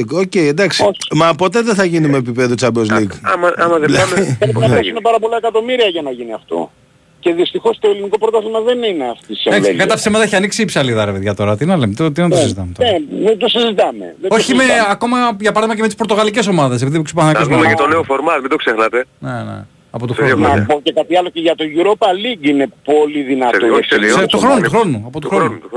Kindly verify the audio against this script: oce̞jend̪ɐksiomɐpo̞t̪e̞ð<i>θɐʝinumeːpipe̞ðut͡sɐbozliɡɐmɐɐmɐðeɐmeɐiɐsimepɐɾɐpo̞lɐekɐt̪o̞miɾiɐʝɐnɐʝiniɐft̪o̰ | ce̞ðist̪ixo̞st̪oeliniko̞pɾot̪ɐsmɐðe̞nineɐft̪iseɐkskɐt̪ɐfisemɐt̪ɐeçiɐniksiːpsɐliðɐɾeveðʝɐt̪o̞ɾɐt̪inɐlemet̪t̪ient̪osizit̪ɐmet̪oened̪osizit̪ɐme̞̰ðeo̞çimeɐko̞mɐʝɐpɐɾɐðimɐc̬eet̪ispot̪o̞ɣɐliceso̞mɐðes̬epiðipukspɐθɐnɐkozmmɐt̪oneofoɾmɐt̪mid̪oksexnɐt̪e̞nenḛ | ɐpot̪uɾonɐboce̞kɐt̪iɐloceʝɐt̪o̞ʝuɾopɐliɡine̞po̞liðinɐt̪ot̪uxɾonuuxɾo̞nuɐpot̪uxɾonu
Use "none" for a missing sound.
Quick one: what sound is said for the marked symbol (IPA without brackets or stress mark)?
e